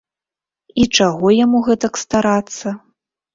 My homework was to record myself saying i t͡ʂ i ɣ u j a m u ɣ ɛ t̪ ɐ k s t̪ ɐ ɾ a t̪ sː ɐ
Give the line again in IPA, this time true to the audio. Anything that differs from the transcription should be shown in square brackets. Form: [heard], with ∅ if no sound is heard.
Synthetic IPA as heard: i t͡ʂ [a] ɣ [ɔ] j a m u ɣ ɛ t̪ ɐ k s t̪ [a] ɾ a t̪ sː ɐ